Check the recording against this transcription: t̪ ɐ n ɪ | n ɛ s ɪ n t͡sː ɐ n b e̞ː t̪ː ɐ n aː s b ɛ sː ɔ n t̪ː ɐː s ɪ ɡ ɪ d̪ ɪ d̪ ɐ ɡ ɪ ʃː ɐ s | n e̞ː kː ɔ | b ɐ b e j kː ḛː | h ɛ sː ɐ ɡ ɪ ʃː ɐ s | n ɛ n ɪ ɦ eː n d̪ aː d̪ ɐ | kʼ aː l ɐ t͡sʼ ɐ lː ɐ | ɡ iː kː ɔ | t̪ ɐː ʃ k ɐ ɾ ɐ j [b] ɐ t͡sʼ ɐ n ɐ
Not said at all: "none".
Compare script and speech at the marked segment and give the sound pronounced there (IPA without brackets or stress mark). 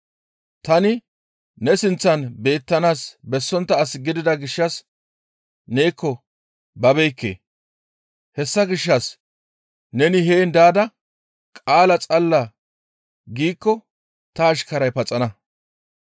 p